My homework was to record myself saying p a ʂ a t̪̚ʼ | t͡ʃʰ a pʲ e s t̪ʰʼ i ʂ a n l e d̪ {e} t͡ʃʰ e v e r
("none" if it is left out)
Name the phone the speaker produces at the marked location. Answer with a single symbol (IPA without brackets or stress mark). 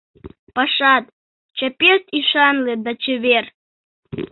a